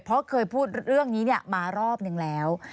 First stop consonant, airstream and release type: aspirated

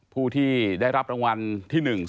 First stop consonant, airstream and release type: aspirated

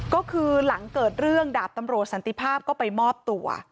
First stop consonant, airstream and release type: plain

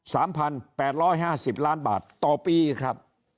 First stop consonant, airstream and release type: aspirated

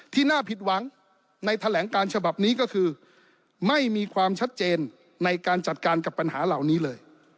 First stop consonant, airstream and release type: aspirated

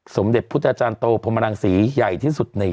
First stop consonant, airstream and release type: plain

